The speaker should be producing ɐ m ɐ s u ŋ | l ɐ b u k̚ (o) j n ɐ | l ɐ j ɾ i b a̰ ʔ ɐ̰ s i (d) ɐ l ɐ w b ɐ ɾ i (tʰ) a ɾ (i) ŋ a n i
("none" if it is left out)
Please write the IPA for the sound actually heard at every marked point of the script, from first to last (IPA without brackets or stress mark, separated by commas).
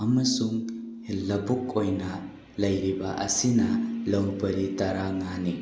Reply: o, n, t, a